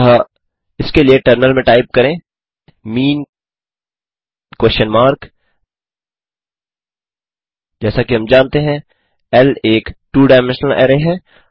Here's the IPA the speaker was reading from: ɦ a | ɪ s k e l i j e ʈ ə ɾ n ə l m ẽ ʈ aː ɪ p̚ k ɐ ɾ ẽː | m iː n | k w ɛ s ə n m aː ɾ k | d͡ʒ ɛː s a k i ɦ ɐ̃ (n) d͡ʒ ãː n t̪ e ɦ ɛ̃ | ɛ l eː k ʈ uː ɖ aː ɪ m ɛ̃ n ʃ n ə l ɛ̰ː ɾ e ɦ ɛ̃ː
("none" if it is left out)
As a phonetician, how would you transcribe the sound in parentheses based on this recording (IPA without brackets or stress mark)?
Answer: m